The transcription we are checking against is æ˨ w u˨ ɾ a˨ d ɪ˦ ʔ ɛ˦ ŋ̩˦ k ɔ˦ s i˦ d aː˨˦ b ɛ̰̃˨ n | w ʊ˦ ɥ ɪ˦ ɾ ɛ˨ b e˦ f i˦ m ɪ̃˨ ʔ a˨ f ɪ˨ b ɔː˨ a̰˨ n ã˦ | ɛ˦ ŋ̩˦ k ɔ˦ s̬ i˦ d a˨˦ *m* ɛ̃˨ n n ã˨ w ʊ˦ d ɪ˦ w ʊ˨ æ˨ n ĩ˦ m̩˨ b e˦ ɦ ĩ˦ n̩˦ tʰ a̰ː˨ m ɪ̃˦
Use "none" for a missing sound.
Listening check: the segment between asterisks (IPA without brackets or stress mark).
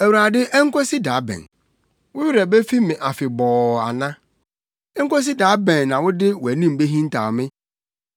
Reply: b